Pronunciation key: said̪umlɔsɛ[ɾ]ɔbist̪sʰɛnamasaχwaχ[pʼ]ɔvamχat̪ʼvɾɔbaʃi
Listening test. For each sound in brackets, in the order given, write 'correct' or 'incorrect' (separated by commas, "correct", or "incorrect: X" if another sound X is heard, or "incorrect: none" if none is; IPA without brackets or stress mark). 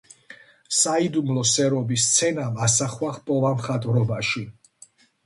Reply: correct, correct